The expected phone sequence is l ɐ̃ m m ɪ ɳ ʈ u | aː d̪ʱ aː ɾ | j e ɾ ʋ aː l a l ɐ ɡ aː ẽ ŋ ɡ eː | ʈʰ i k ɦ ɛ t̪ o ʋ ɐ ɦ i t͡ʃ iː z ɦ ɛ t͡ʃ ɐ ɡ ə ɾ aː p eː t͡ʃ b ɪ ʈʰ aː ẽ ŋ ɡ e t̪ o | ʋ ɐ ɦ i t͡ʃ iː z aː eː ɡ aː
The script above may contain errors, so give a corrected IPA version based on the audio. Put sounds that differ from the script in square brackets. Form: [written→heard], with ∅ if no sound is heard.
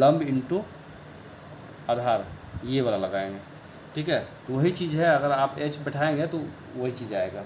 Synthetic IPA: l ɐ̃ m [m→b] ɪ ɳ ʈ u | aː d̪ʱ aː ɾ | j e [ɾ→∅] ʋ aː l a l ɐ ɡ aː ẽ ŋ ɡ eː | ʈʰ [i→iː] k ɦ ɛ t̪ o ʋ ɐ ɦ i t͡ʃ iː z ɦ ɛ [t͡ʃ→∅] ɐ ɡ ə ɾ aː p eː t͡ʃ b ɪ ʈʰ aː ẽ ŋ ɡ e t̪ o | ʋ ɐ ɦ i t͡ʃ iː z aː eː ɡ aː